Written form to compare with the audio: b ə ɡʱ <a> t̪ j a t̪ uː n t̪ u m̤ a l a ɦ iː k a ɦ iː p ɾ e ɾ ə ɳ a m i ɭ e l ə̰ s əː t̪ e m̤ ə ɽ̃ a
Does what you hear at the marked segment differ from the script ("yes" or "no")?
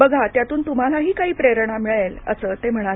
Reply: no